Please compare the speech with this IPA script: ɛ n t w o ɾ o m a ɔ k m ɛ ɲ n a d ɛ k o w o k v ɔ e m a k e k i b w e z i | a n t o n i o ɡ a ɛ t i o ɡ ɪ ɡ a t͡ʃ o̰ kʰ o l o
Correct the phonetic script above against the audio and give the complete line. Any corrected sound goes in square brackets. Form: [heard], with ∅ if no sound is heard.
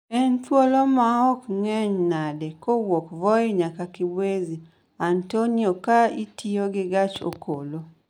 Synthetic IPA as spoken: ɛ n t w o [l] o m a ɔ k [ŋ] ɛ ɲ n a d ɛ k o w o k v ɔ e [ɲ] a k [a] k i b w e z i | a n t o n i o [k] a [i] t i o ɡ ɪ ɡ a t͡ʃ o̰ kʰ o l o